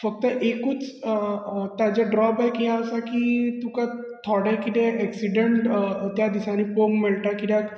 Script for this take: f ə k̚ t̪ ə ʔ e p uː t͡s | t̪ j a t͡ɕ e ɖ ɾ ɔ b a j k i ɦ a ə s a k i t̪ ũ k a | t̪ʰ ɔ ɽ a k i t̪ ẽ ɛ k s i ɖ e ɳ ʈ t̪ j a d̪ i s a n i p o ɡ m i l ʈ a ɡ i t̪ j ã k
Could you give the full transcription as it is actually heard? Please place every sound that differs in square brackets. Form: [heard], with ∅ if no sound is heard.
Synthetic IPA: f ə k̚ t̪ ə ʔ e [k] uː t͡s | t̪ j a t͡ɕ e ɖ ɾ ɔ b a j k i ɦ a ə s a k i t̪ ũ k a | t̪ʰ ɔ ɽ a k i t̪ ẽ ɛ k s i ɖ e ɳ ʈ t̪ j a d̪ i s a n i p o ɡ m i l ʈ a [k] i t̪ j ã k

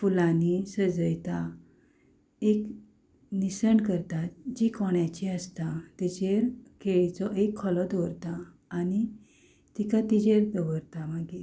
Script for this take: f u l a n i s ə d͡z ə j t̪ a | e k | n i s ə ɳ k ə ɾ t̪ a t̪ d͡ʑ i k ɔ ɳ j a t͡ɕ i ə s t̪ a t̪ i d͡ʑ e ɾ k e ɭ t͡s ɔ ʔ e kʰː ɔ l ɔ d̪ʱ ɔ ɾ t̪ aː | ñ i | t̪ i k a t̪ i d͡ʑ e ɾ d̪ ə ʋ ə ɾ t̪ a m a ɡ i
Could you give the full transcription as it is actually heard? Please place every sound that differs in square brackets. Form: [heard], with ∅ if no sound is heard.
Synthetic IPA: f u l a n i s ə d͡z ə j t̪ a | e k | n i s ə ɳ k ə ɾ t̪ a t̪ d͡ʑ i k ɔ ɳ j a t͡ɕ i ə s t̪ a t̪ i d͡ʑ e ɾ k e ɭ t͡s ɔ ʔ e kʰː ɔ l ɔ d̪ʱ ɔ ɾ t̪ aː | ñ i | t̪ i k a t̪ i d͡ʑ e ɾ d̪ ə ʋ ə ɾ t̪ a m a ɡ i

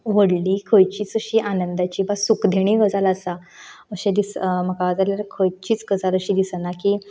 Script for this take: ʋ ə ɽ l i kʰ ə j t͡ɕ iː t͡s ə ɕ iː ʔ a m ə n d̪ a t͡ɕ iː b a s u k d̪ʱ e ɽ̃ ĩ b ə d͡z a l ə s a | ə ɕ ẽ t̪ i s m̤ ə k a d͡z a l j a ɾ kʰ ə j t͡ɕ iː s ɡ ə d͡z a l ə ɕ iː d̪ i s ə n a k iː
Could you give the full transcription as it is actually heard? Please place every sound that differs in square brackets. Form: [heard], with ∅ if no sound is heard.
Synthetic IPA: ʋ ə ɽ l i kʰ ə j t͡ɕ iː t͡s ə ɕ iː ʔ a [n] ə n d̪ a t͡ɕ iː b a s u k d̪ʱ e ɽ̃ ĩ [ɡ] ə d͡z a l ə s a | ə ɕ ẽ [d̪] i s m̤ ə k a d͡z a l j a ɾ kʰ ə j t͡ɕ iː [t͡s] ɡ ə d͡z a l ə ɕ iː d̪ i s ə n a k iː

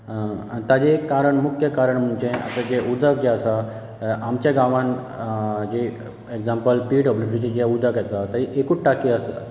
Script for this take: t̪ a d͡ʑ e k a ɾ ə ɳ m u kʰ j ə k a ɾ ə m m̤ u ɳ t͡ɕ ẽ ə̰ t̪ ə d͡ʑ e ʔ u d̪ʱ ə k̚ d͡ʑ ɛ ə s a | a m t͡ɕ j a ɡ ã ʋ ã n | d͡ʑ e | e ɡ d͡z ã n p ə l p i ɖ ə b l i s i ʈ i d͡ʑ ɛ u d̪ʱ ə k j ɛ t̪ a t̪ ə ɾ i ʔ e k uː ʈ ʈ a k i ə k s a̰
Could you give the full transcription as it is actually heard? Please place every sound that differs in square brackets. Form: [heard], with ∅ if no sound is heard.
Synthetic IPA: t̪ a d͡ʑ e k a ɾ ə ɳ m u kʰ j ə k a ɾ ə [ɳ] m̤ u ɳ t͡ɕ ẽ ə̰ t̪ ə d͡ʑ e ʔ u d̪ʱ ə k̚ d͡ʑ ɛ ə s a | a m t͡ɕ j a ɡ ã ʋ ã n | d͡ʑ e | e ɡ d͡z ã [m] p ə l p i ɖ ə b l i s i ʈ i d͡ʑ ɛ u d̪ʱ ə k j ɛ t̪ a t̪ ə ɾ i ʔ e k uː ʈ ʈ a k i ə [∅] s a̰

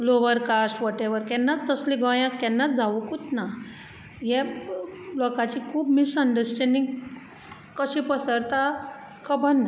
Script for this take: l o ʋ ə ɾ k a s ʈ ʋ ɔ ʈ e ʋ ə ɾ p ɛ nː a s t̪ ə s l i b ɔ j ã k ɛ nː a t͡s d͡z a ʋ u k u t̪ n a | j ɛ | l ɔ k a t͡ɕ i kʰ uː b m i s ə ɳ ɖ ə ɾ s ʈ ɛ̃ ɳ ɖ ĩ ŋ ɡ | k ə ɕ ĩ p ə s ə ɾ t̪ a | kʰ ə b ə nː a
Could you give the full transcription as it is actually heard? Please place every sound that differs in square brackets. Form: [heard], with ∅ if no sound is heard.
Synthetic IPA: l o ʋ ə ɾ k a s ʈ ʋ ɔ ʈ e ʋ ə ɾ [k] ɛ nː a [t͡s] t̪ ə s l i [ɡ] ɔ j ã k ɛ nː a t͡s d͡z a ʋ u k u t̪ n a | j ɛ | l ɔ k a t͡ɕ i kʰ uː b m i s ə ɳ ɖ ə ɾ s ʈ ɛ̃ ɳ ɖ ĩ ŋ ɡ | k ə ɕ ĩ p ə s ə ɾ t̪ a | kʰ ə b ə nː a

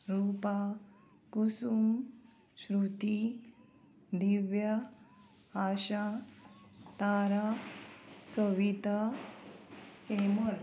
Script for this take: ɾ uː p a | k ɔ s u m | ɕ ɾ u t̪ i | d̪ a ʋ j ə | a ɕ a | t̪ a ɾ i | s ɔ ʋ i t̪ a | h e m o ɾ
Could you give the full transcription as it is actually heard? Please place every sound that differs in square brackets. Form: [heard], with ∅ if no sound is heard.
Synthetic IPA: ɾ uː p a | k [u] s u m | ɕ ɾ u t̪ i | d̪ [i] ʋ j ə | a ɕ a | t̪ a ɾ [a] | s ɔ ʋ i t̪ a | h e m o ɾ

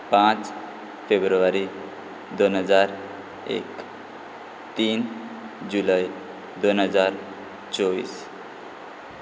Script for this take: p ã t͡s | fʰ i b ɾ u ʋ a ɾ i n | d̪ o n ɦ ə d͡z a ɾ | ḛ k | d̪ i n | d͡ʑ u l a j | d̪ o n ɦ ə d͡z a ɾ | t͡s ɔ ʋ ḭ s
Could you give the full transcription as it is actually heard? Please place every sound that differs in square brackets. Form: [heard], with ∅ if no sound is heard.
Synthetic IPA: p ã t͡s | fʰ [e] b ɾ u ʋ a ɾ i [∅] | d̪ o n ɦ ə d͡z a ɾ | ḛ k | [t̪] i n | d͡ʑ u l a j | d̪ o n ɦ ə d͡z a ɾ | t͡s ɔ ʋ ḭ s

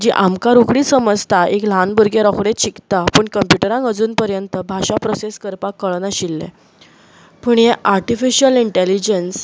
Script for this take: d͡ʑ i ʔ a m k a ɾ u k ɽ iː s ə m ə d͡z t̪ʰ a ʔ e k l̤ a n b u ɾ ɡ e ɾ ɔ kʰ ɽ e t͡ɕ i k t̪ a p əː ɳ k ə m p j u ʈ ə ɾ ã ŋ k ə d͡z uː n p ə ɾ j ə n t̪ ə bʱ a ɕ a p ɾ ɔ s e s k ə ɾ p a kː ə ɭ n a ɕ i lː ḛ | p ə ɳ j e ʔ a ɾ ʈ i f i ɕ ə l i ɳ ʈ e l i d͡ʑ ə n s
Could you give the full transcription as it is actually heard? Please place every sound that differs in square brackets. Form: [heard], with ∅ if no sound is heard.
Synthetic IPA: d͡ʑ i ʔ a m k a ɾ u k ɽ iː s ə m ə d͡z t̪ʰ a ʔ e k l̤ a n b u ɾ ɡ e ɾ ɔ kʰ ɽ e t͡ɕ i k t̪ a p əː ɳ k ə m p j u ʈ ə ɾ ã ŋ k ə d͡z uː n p ə ɾ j ə n t̪ ə bʱ a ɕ a p ɾ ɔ s e s k ə ɾ p a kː ə ɭ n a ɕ i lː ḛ | p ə ɳ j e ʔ a ɾ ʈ i f i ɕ ə l i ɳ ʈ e l i d͡ʑ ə n s

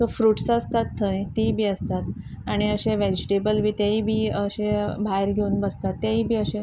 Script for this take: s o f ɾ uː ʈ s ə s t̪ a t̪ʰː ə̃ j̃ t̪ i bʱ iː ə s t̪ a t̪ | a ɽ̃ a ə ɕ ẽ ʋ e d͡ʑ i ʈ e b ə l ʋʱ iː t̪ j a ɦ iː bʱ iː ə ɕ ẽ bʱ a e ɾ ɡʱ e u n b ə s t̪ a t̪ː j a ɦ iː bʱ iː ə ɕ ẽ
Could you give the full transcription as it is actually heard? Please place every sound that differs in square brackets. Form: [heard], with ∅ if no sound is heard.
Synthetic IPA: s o f ɾ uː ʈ s ə s t̪ a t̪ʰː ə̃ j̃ t̪ i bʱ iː ə s t̪ a t̪ | a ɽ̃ [i] ə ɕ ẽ ʋ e d͡ʑ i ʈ e b ə l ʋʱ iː t̪ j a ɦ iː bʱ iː ə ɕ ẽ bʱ a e ɾ ɡʱ e u n b ə s t̪ a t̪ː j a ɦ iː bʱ iː ə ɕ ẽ

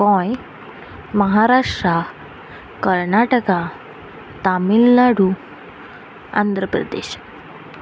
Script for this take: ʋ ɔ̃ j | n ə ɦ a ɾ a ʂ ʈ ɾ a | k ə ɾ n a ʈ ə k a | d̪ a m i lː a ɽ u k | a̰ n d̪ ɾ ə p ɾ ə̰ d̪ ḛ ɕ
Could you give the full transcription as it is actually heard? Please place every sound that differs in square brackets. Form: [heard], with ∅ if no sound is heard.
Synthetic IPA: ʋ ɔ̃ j | [m] ə ɦ a ɾ a ʂ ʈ ɾ a | k ə ɾ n a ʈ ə k a | [t̪] a m i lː a ɽ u [∅] | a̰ n d̪ ɾ ə p ɾ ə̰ d̪ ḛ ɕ

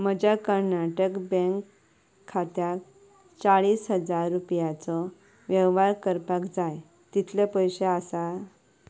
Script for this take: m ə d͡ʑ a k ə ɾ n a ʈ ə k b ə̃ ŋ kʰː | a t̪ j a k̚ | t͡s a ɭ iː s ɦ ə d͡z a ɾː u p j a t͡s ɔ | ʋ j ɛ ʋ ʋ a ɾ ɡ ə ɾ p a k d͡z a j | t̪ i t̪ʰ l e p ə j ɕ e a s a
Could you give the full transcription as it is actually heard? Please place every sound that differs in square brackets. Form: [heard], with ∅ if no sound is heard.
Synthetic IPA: m ə d͡ʑ a k ə ɾ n a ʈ ə k b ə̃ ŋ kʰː | a t̪ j a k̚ | t͡s a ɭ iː s ɦ ə d͡z a ɾː u p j a t͡s ɔ | ʋ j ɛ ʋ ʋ a ɾ [k] ə ɾ p a k d͡z a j | t̪ i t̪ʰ l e p ə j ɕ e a s a

